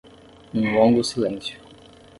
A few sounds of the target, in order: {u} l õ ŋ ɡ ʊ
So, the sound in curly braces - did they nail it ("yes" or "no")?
no